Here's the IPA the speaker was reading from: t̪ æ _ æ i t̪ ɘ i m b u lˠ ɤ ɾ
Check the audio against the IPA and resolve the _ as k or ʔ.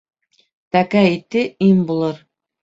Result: k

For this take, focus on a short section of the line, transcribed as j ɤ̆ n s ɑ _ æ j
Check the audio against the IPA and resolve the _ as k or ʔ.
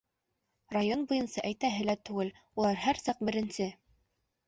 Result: ʔ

